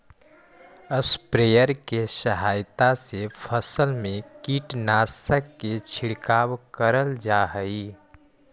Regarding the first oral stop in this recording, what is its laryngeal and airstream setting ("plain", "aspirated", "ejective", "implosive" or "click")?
plain